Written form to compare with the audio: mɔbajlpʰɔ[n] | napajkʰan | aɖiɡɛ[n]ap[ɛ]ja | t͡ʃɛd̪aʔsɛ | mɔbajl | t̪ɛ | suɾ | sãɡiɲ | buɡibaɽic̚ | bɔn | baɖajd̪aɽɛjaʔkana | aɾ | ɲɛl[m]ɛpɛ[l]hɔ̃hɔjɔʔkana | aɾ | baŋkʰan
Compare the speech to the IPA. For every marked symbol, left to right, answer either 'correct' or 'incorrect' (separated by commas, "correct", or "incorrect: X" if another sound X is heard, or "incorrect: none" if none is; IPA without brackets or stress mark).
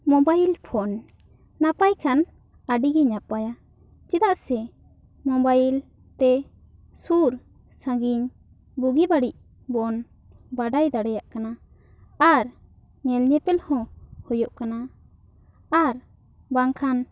correct, incorrect: ɲ, incorrect: a, incorrect: ɲ, correct